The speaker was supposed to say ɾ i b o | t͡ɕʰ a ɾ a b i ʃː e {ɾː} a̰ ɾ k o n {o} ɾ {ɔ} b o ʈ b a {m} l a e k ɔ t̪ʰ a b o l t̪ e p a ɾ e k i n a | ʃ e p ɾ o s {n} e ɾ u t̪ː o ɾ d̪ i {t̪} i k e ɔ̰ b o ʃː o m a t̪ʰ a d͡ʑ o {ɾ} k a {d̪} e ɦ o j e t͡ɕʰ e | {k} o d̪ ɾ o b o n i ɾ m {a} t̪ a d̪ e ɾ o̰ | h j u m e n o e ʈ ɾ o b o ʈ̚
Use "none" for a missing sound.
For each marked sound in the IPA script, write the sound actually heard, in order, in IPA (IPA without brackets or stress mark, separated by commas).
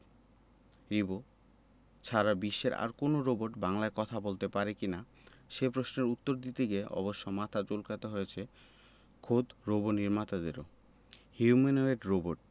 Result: ɾ, o, o, ŋ, n, t̪, l, t̪, kʰ, a